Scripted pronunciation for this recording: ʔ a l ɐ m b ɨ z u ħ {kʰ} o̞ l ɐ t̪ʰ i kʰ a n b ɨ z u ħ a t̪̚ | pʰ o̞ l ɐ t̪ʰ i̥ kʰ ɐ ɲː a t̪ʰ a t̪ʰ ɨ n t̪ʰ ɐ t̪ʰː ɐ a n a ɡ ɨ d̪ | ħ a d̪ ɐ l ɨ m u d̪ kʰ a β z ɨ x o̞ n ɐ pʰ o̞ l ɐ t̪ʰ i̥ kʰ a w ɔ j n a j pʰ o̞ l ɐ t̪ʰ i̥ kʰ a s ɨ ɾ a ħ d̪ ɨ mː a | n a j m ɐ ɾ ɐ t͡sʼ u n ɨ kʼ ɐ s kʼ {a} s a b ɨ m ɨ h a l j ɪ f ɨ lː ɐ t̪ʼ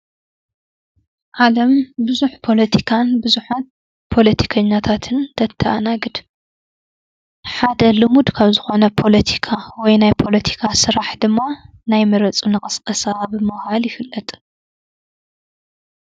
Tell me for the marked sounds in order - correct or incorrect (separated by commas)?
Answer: incorrect, incorrect